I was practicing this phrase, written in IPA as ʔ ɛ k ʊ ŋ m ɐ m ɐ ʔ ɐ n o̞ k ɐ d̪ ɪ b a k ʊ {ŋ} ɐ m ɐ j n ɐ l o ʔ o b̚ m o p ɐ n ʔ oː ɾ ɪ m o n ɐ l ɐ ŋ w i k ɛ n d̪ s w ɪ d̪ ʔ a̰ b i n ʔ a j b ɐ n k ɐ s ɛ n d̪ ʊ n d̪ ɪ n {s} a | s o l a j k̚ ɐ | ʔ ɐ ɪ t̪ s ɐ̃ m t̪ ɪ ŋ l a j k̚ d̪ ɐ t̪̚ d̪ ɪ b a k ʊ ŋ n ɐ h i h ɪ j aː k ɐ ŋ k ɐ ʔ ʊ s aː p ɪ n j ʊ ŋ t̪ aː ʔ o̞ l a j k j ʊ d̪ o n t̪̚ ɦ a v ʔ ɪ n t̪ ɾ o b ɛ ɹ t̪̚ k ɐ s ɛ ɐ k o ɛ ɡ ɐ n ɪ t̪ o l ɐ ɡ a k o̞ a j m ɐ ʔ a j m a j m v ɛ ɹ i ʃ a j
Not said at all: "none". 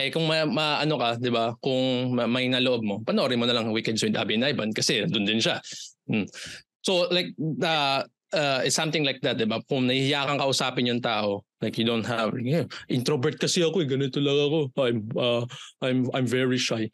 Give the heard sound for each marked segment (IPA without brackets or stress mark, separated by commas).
ŋ, ʃ